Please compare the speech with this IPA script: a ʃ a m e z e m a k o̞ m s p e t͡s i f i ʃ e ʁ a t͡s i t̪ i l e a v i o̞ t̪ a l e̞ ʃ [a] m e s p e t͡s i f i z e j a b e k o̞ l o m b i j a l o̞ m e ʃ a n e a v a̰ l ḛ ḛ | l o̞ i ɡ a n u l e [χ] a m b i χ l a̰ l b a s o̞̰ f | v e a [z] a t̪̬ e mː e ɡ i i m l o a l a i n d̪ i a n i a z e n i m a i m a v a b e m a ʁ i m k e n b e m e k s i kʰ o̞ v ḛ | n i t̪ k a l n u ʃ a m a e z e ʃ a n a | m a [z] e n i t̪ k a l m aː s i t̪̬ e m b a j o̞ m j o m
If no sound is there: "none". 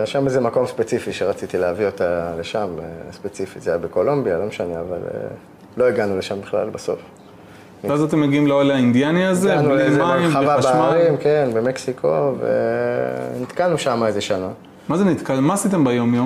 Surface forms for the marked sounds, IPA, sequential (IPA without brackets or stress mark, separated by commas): a, ʃ, z, z